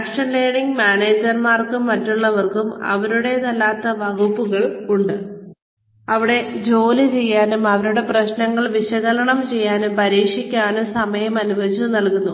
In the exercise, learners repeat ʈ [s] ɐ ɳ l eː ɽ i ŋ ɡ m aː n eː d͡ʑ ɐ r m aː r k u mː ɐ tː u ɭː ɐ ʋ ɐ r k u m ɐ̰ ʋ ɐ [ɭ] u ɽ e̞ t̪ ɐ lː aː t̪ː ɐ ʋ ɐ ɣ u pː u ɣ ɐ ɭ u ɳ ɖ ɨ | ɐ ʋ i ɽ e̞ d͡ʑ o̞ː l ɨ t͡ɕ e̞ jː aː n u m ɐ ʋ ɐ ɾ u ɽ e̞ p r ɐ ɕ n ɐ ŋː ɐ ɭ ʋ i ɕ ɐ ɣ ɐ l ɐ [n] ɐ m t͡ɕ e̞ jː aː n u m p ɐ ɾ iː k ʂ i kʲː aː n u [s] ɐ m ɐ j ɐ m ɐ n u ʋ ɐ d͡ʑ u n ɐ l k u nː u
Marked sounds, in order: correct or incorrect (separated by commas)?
incorrect, incorrect, incorrect, correct